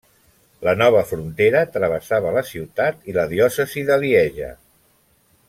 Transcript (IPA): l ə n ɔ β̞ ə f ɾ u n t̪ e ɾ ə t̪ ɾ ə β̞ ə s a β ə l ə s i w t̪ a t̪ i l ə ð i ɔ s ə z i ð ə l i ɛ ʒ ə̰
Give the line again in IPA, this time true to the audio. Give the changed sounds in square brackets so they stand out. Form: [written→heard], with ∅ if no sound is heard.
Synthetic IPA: l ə n ɔ β̞ ə f ɾ u n t̪ e ɾ ə t̪ ɾ ə β̞ ə s a β ə l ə s i w t̪ a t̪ i l ə ð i ɔ s ə z i ð ə l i ɛ ʒ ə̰